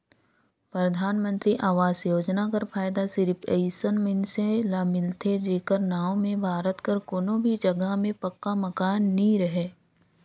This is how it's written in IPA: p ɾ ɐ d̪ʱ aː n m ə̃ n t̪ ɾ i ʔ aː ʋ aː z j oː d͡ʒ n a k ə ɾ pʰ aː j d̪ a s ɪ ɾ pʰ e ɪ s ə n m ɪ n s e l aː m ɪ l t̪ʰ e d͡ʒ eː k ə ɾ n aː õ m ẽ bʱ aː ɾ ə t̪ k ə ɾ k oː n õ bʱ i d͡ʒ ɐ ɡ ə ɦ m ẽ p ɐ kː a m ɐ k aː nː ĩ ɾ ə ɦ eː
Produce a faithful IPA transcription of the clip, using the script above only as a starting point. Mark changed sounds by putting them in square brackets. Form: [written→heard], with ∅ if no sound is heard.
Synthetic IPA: p ɾ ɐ d̪ʱ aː n m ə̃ n t̪ ɾ i ʔ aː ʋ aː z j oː d͡ʒ n a k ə ɾ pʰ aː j d̪ a s ɪ ɾ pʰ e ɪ s ə n m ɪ n s e l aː m ɪ l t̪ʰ e d͡ʒ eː k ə ɾ n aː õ m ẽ bʱ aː ɾ ə t̪ k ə ɾ k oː n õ bʱ i d͡ʒ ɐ ɡ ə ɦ m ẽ p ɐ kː a m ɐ k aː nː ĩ ɾ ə ɦ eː